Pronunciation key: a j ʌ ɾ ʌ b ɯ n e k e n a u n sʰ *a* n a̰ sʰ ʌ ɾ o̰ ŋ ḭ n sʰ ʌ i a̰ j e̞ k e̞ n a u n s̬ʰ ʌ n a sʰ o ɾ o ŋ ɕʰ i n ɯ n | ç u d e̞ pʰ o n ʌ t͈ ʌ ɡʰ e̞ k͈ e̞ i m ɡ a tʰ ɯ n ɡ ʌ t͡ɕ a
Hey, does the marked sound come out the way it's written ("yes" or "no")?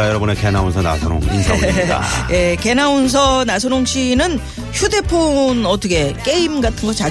no